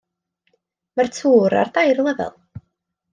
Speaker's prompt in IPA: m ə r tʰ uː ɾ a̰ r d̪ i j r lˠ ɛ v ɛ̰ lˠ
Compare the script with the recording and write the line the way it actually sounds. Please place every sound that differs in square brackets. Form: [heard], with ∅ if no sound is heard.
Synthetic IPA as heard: m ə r tʰ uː ɾ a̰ r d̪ [a] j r lˠ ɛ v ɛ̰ lˠ